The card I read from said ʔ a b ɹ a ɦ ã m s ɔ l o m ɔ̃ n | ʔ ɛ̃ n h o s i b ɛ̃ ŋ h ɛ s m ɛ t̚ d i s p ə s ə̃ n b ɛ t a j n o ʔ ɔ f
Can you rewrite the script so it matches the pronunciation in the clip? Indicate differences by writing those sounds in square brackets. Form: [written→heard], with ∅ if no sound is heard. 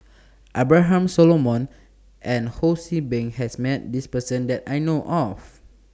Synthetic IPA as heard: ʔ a b ɹ a ɦ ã m s ɔ l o m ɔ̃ n | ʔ ɛ̃ n h o s i b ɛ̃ ŋ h ɛ s m ɛ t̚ d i s p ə s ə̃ n [b→d] ɛ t a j n o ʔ ɔ f